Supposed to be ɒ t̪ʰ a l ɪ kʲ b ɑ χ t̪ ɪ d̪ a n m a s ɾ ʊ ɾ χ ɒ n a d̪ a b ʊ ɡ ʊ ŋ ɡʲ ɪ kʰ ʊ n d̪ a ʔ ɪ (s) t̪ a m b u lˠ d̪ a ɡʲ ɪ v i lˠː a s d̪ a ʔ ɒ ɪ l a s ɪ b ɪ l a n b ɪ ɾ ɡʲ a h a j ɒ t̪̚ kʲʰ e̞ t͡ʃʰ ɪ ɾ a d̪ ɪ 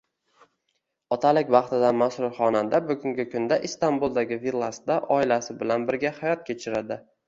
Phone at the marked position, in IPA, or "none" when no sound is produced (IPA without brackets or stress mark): s